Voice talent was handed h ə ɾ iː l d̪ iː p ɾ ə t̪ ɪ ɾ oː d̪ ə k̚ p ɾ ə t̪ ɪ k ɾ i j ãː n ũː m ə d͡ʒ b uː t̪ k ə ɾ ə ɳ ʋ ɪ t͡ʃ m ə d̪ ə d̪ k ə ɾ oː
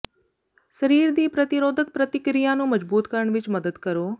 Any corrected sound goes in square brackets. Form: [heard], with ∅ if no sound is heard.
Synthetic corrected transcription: [s] ə ɾ iː [ɾ] d̪ iː p ɾ ə t̪ ɪ ɾ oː d̪ ə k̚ p ɾ ə t̪ ɪ k ɾ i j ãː n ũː m ə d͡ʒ b uː t̪ k ə ɾ ə ɳ ʋ ɪ t͡ʃ m ə d̪ ə d̪ k ə ɾ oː